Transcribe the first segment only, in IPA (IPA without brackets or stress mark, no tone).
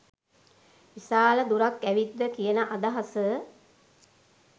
ʋ